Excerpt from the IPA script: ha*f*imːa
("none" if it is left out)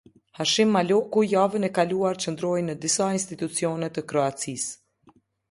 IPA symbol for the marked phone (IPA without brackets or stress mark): ʃ